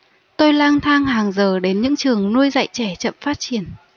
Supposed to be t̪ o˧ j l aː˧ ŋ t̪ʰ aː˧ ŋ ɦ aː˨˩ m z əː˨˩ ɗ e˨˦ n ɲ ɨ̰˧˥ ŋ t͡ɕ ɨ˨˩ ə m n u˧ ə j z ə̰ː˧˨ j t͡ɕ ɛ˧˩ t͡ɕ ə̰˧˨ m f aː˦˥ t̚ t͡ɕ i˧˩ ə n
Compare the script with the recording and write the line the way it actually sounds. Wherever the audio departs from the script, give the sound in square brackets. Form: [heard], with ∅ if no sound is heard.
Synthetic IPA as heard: t̪ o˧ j l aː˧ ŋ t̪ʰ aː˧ ŋ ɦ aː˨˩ [ŋ] z əː˨˩ ɗ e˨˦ n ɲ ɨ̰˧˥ ŋ t͡ɕ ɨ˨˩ ə [ŋ] n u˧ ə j z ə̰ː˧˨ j t͡ɕ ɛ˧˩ t͡ɕ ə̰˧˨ m f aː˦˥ t̚ t͡ɕ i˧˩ ə n

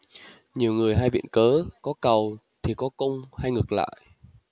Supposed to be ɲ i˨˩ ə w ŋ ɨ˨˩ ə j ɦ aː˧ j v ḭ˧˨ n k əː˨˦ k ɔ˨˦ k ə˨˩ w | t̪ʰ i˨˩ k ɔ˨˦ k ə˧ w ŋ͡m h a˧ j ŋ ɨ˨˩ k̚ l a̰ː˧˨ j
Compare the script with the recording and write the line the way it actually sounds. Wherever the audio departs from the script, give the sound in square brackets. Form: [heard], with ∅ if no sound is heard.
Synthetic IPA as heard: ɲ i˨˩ ə w ŋ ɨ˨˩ ə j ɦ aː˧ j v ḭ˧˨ n k əː˨˦ k ɔ˨˦ k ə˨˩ w | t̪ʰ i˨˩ k ɔ˨˦ k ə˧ w ŋ͡m h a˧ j ŋ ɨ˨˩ k̚ l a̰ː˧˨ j

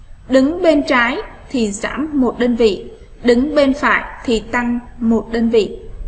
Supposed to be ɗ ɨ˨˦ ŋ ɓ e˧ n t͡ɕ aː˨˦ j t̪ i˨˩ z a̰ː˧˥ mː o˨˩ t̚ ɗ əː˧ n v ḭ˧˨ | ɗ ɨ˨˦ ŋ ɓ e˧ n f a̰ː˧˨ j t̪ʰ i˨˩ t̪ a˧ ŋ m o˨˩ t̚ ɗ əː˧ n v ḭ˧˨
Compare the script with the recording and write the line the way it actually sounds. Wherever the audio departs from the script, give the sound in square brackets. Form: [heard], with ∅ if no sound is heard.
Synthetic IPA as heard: ɗ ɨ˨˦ ŋ ɓ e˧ n t͡ɕ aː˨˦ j [t̪ʰ] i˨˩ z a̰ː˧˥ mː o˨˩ t̚ ɗ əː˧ n v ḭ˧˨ | ɗ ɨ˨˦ ŋ ɓ e˧ n f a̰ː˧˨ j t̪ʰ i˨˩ t̪ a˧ ŋ m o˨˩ t̚ ɗ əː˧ n v ḭ˧˨

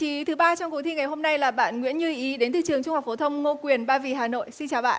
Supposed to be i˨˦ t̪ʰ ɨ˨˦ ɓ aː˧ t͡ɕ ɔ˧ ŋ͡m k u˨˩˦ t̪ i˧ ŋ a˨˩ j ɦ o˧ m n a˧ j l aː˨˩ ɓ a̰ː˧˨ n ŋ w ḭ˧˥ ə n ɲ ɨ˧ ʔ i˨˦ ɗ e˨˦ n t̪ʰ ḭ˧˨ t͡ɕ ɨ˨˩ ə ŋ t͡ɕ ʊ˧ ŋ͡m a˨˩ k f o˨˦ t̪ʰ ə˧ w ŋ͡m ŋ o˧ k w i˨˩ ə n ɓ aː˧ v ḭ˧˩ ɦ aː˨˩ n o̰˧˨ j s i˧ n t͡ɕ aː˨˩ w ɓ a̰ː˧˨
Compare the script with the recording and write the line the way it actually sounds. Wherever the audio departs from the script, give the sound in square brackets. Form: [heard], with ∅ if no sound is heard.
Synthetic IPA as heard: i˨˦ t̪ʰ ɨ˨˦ ɓ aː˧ t͡ɕ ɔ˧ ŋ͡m k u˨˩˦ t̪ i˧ ŋ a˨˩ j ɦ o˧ m n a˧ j l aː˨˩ ɓ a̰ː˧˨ n ŋ w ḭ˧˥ ə n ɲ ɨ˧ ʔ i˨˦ ɗ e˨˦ n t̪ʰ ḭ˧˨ t͡ɕ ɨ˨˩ ə ŋ t͡ɕ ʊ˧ ŋ͡m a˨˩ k f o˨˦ t̪ʰ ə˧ w ŋ͡m ŋ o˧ k w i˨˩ ə n ɓ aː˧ v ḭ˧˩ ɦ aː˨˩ n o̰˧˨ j s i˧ n t͡ɕ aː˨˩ w ɓ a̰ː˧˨

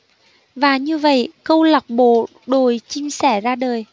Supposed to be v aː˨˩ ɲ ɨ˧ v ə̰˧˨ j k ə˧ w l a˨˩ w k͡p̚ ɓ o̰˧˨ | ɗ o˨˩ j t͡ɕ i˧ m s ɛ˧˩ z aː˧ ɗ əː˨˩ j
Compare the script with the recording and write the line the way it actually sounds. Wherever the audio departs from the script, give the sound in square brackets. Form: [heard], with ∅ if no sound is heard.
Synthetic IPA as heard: v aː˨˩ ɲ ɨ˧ v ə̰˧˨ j k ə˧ w l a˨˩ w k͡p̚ ɓ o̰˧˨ | ɗ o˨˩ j t͡ɕ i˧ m s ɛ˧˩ z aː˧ ɗ əː˨˩ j

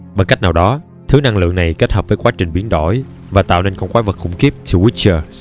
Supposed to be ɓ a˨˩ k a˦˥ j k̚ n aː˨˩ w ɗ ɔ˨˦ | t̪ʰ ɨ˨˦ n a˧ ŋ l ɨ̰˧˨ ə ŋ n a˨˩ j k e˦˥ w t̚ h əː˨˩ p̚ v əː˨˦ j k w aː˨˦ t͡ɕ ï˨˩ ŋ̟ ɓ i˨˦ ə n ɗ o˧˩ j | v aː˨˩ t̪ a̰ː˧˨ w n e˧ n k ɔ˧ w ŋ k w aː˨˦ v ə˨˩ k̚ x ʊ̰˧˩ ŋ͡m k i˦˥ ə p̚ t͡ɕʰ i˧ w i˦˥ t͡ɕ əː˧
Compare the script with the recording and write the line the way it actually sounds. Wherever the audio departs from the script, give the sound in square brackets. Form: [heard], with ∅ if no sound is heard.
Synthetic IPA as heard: ɓ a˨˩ k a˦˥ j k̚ n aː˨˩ w ɗ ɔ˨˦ | t̪ʰ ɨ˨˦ n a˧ ŋ l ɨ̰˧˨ ə ŋ n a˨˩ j k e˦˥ [∅] t̚ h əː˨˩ p̚ v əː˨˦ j k w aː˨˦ t͡ɕ ï˨˩ ŋ̟ ɓ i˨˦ ə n ɗ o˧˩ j | v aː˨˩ t̪ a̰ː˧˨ w n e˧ n k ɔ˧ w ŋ k w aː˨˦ v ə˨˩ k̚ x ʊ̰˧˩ ŋ͡m k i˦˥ ə p̚ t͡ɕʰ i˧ w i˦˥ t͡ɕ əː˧

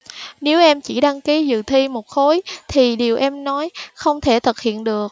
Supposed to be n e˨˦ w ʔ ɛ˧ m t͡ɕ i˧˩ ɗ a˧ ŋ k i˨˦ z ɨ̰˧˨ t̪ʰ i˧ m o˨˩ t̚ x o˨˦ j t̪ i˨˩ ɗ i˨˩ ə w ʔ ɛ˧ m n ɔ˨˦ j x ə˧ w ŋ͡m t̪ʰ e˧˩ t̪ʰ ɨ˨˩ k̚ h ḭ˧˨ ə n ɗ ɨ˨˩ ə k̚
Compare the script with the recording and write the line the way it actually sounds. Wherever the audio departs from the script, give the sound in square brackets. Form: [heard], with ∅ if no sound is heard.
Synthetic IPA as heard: n e˨˦ w ʔ ɛ˧ m t͡ɕ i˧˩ ɗ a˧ ŋ k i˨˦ z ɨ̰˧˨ t̪ʰ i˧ m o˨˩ t̚ x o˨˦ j [t̪ʰ] i˨˩ ɗ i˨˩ ə w ʔ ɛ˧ m n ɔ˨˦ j x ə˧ w ŋ͡m t̪ʰ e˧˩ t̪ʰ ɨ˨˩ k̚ h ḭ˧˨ ə n ɗ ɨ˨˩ ə k̚

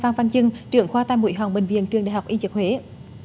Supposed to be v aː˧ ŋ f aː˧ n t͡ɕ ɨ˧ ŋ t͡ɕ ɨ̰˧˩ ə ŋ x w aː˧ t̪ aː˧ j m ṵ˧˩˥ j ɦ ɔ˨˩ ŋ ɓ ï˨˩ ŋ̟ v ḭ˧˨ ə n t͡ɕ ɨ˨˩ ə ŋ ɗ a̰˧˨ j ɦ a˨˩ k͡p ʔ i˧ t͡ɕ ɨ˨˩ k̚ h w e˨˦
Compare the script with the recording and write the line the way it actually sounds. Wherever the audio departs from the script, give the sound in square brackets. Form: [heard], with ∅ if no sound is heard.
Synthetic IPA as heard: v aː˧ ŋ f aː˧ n t͡ɕ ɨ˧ ŋ t͡ɕ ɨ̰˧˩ ə ŋ x w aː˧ t̪ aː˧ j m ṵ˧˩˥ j ɦ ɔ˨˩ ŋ ɓ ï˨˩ ŋ̟ v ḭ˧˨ ə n t͡ɕ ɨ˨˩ ə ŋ ɗ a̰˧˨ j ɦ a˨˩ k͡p ʔ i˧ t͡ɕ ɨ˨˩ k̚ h w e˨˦

